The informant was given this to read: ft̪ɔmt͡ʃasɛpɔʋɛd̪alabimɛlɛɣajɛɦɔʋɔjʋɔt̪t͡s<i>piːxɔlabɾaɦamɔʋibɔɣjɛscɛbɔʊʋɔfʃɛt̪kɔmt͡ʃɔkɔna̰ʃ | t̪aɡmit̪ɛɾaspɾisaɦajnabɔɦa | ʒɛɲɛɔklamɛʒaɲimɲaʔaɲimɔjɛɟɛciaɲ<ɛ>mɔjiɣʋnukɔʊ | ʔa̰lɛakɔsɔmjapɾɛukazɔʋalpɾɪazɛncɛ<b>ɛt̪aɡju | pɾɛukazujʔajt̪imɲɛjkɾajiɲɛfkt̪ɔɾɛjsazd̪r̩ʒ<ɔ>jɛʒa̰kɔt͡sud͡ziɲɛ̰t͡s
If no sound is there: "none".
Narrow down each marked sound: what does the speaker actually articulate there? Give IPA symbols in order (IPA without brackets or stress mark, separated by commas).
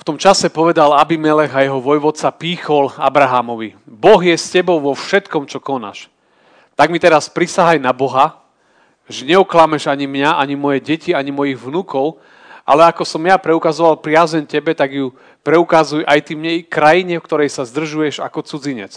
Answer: a, i, b, u